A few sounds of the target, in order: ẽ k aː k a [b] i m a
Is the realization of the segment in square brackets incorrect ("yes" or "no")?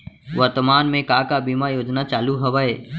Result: no